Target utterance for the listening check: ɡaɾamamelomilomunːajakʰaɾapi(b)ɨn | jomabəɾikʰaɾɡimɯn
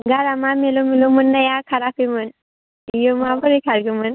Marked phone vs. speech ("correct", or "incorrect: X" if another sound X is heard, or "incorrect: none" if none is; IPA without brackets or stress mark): incorrect: m